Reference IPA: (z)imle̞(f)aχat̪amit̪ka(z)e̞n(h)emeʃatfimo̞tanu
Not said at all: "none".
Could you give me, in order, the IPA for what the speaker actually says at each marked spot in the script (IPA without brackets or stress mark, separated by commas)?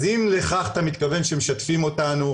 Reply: z, χ, v, ʃ